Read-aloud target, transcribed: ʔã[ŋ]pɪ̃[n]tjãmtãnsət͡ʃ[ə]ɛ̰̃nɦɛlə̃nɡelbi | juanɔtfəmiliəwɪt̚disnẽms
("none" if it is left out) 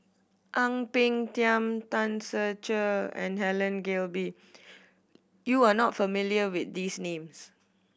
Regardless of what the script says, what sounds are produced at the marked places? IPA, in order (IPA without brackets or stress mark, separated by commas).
ŋ, ŋ, ə